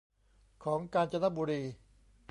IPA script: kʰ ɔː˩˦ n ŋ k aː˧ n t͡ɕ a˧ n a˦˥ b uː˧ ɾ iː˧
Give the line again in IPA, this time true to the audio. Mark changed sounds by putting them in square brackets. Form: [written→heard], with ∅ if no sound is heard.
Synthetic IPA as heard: kʰ ɔː˩˦ [n→∅] ŋ k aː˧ n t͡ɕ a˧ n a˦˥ b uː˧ ɾ iː˧